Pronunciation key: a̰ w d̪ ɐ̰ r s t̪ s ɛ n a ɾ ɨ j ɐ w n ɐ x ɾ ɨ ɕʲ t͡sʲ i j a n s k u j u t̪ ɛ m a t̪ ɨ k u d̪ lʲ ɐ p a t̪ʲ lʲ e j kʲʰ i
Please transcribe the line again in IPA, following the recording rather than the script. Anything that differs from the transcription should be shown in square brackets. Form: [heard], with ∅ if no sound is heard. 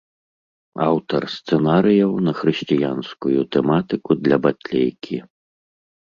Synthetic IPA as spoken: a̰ w [t̪] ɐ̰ r s t̪ s ɛ n a ɾ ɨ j ɐ w n ɐ x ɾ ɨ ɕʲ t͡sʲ i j a n s k u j u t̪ ɛ m a t̪ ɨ k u d̪ lʲ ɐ [b] a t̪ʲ lʲ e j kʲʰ i